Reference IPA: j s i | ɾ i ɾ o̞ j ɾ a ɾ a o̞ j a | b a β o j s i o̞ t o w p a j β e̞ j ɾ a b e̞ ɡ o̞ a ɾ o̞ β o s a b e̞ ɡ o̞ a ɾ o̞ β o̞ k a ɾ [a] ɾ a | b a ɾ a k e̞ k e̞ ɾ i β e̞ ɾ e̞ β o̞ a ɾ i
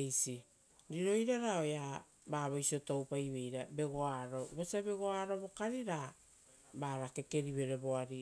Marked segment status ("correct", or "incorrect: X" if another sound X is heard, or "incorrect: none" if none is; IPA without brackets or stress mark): incorrect: i